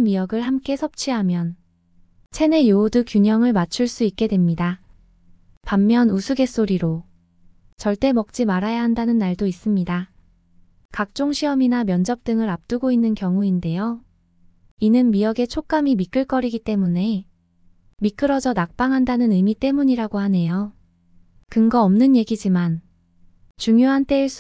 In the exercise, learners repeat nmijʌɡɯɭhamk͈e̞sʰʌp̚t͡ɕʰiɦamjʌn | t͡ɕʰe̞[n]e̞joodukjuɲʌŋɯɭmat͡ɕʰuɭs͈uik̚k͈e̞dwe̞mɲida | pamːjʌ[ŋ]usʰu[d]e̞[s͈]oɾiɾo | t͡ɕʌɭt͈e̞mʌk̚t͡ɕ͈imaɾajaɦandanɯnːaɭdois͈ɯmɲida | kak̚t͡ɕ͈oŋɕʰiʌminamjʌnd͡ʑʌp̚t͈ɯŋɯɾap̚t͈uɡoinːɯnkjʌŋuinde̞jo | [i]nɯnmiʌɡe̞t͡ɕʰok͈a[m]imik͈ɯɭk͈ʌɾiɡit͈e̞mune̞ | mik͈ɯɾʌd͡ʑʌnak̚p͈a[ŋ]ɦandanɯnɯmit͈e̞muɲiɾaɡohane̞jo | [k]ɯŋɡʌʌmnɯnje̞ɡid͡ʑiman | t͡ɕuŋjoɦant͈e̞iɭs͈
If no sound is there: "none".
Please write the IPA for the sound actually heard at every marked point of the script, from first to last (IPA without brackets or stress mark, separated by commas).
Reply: n, n, ɡ, s͈, i, m, ŋ, k